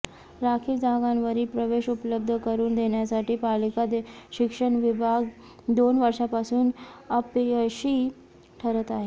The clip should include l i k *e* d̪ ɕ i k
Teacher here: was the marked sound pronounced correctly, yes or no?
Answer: no